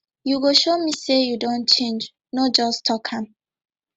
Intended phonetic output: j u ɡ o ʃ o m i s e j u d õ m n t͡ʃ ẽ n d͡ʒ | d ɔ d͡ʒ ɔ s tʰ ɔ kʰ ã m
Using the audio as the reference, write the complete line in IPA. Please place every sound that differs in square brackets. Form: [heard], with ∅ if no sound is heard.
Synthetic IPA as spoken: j u ɡ o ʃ o m i s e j u d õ [∅] n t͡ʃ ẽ n d͡ʒ | [n] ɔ d͡ʒ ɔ s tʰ ɔ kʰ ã m